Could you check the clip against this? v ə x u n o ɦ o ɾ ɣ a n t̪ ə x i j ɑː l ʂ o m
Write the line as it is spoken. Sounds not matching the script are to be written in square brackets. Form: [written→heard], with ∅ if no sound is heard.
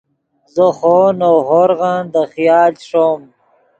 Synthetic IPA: [v→z] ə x [u→o] n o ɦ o ɾ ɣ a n [t̪→d̪] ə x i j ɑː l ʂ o m